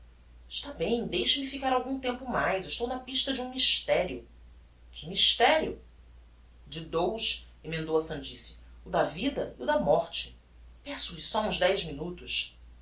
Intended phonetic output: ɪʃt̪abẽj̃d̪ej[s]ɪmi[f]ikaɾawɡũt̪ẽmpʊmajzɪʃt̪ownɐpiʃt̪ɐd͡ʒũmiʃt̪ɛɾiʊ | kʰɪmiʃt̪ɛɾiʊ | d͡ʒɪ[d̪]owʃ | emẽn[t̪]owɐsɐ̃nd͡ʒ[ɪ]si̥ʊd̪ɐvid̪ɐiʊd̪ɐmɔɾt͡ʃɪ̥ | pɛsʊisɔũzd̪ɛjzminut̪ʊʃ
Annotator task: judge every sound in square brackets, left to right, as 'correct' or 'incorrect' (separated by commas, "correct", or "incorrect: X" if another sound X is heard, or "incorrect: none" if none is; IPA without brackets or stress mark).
incorrect: ʃ, correct, correct, incorrect: d̪, incorrect: i